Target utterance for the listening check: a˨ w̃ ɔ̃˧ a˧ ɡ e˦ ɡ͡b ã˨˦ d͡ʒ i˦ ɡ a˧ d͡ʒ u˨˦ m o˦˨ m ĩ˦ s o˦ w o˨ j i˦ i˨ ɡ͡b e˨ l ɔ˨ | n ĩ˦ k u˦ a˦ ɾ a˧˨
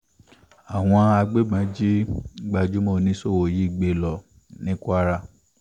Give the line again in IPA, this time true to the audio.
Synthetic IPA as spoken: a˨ w̃ ɔ̃˧ a˧ ɡ͡b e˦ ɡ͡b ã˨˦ d͡ʒ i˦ ɡ͡b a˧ d͡ʒ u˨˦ m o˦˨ n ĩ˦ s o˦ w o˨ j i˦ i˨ ɡ͡b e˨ l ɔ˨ | n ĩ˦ k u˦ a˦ ɾ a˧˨

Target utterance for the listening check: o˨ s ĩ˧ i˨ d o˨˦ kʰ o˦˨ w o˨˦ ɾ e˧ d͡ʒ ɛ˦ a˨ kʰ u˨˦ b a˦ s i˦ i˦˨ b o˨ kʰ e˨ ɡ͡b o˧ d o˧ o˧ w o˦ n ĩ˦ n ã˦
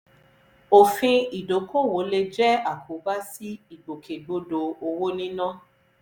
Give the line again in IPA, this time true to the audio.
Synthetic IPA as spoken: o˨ f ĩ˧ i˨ d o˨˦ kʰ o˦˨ w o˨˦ l e˧ d͡ʒ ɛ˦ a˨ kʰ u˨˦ b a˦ s i˦ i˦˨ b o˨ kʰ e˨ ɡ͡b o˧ d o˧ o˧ w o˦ n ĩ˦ n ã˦

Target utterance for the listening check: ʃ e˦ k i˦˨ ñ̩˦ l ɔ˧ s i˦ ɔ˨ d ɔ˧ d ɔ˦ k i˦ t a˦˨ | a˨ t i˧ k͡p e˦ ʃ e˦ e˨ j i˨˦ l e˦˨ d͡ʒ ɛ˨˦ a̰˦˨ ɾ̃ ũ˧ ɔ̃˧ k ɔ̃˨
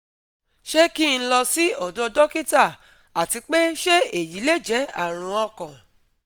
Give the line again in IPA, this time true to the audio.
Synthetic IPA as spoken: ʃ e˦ k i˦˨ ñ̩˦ l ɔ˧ s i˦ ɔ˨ d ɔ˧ d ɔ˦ k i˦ t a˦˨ | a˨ t i˧ k͡p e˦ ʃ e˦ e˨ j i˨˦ l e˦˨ d͡ʒ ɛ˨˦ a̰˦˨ ɾ̃ ũ˧ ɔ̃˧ k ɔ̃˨

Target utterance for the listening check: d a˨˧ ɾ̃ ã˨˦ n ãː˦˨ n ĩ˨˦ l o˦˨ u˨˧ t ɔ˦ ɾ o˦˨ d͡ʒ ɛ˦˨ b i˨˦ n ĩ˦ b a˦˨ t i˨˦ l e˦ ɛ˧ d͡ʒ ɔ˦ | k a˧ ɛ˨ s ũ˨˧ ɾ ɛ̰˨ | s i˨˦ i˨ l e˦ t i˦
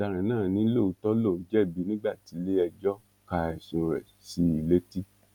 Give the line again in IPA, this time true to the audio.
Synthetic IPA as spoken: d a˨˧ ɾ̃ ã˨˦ n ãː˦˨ n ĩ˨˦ l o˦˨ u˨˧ t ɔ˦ l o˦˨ d͡ʒ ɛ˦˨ b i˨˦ n ĩ˦ ɡ͡b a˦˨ t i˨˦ l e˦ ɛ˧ d͡ʒ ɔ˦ | k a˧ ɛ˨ s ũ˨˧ ɾ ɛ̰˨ | s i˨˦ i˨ l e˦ t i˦

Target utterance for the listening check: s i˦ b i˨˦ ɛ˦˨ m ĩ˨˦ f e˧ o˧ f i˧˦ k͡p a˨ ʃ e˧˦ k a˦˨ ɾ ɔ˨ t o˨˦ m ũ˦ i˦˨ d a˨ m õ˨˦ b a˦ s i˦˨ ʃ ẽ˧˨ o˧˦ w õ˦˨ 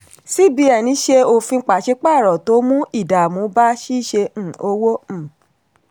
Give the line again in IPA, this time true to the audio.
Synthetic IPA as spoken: s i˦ b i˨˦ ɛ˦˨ n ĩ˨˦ ʃ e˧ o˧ f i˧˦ k͡p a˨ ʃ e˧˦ k͡p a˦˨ ɾ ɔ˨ t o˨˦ m ũ˦ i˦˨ d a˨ m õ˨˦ b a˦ ʃ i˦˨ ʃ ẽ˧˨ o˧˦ w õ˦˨

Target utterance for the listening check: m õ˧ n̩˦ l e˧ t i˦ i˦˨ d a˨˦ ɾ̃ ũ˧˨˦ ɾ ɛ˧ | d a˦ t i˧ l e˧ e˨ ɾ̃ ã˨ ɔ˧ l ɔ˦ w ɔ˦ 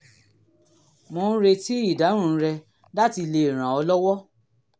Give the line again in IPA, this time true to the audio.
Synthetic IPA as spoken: m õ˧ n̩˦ ɾ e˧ t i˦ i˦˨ d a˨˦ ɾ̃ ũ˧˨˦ ɾ ɛ˧ | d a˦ t i˧ l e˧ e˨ ɾ̃ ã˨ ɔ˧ l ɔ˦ w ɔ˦

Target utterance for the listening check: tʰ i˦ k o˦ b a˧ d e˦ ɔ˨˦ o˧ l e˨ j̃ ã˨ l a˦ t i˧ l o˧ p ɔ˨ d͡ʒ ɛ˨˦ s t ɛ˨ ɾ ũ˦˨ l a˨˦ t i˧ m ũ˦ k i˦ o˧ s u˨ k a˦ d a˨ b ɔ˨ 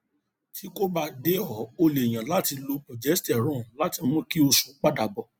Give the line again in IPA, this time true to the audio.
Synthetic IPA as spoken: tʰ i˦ k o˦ b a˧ d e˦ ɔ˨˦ o˧ l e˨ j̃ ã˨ l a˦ t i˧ l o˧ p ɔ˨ d͡ʒ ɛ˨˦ s t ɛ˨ ɾ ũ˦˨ l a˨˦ t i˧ m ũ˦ k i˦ o˧ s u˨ k͡p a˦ d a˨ b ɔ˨

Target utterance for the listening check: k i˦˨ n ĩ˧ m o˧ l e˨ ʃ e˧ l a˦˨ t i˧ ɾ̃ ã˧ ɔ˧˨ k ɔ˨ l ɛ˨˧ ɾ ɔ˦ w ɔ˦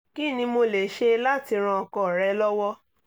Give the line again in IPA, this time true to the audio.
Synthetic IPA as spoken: k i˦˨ n ĩ˧ m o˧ l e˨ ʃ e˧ l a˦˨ t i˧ ɾ̃ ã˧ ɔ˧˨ k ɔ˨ ɾ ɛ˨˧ l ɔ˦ w ɔ˦

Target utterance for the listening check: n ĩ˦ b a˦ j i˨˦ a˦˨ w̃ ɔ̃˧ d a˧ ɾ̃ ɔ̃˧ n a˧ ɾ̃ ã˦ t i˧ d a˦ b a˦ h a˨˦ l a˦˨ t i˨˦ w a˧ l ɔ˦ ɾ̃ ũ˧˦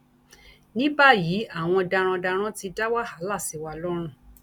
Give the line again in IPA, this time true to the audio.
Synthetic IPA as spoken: n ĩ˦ b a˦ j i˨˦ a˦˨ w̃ ɔ̃˧ d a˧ ɾ̃ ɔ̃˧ d a˧ ɾ̃ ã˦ t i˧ d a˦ w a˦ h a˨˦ l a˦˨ s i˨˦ w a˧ l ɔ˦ ɾ̃ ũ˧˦

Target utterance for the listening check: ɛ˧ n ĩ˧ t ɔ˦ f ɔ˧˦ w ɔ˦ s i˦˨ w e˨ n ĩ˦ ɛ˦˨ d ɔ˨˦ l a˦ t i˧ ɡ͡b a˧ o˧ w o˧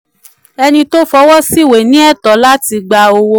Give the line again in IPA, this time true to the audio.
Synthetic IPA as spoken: ɛ˧ n ĩ˧ t o˦ f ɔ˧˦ w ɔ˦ s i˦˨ w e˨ n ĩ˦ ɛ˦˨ t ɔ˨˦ l a˦ t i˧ ɡ͡b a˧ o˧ w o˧

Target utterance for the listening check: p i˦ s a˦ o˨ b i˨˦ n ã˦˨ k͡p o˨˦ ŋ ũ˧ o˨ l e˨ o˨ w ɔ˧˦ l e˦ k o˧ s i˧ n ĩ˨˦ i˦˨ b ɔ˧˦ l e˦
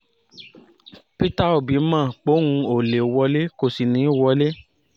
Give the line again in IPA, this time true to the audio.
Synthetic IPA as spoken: p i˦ t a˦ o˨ b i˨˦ m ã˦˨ k͡p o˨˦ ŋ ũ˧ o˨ l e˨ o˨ w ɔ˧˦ l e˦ k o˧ s i˧ n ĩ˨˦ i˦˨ w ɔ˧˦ l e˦

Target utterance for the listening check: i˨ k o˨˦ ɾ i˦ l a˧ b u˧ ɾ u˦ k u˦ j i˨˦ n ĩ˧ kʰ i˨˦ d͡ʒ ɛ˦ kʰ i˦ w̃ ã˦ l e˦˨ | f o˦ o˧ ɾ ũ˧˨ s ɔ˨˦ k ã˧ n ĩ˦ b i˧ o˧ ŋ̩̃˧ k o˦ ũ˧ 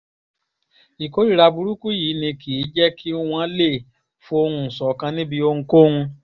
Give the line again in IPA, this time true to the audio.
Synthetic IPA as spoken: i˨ k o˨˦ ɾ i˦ ɾ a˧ b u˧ ɾ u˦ k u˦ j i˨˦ n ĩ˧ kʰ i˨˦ d͡ʒ ɛ˦ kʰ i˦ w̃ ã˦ l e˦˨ | f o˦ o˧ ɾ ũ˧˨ s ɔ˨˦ k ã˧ n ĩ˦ b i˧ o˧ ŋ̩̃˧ k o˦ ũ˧

